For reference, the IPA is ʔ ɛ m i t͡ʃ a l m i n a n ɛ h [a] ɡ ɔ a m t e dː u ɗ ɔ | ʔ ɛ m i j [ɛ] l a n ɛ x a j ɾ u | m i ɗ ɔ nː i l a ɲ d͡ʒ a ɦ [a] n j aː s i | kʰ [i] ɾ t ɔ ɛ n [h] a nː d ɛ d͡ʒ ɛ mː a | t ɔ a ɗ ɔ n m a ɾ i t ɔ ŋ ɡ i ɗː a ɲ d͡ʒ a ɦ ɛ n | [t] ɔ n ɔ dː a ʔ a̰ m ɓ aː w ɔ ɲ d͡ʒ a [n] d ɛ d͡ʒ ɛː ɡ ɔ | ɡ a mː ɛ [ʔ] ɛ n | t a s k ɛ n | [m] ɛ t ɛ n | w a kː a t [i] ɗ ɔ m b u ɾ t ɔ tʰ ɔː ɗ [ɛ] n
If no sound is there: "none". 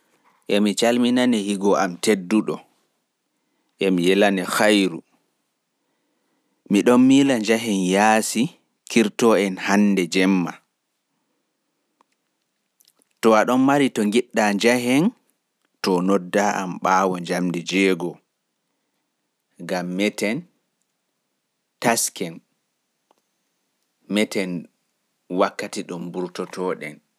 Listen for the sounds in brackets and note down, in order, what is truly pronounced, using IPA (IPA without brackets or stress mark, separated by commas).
i, ɛ, ɛ, i, h, t, m, t, m, i, ɛ